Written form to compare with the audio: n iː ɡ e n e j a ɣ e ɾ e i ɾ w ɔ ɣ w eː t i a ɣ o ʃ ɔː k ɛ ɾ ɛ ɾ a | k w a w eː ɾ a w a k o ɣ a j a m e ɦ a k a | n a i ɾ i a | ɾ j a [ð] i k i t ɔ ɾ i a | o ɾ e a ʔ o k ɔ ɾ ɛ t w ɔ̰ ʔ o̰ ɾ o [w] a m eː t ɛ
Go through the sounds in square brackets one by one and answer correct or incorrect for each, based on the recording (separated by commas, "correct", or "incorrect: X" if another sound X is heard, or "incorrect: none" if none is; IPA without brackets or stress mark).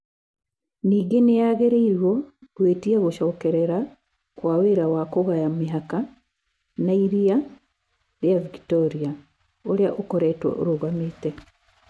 incorrect: v, incorrect: ɣ